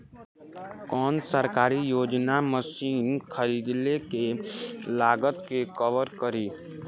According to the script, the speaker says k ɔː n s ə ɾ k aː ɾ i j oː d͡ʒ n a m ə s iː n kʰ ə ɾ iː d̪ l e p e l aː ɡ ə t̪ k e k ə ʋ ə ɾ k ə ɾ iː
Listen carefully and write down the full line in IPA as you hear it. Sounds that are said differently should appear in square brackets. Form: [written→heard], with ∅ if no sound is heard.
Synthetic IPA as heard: k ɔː n s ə ɾ k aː ɾ i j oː d͡ʒ n a m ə s iː n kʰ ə ɾ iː d̪ l e [p→k] e l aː ɡ ə t̪ k e k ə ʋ ə ɾ k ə ɾ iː